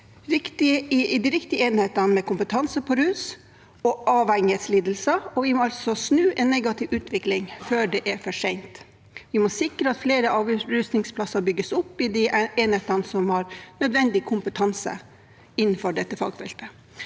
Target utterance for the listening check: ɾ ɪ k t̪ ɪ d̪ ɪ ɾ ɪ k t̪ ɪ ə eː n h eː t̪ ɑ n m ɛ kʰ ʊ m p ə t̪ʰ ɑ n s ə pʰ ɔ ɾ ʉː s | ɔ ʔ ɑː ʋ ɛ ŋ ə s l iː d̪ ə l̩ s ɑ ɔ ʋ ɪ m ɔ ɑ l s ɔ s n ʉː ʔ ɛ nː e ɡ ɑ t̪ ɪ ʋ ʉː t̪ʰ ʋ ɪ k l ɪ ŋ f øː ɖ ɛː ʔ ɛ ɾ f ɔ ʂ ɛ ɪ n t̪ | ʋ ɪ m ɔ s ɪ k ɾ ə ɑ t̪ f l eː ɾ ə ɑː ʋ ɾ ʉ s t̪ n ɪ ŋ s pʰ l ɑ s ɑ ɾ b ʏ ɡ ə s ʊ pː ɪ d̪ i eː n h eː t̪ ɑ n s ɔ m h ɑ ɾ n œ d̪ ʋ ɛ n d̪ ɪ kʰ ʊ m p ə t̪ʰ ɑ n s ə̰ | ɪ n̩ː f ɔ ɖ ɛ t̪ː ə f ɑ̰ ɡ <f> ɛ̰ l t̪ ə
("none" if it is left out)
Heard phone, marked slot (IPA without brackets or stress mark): f